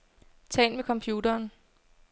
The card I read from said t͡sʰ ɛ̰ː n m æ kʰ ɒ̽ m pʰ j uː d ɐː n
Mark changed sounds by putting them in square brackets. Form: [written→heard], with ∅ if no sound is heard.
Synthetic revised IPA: t͡sʰ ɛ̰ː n m [æ→e] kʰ ɒ̽ m pʰ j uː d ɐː n